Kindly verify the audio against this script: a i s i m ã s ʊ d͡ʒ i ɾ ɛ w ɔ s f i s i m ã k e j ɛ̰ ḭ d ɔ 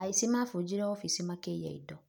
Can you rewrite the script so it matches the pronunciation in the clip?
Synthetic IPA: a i s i m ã f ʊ d͡ʒ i ɾ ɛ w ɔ f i s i m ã k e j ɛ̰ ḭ d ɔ